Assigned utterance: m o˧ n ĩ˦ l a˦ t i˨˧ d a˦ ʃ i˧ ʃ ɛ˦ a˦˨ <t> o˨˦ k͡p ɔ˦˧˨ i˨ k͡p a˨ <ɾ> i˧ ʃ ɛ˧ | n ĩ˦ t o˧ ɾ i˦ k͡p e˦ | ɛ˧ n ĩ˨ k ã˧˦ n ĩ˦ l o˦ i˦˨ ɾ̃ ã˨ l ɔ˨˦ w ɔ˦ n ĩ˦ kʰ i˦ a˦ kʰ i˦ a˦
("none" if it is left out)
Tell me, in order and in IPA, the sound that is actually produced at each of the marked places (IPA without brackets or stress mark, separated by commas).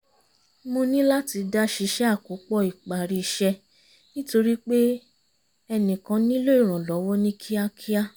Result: k, ɾ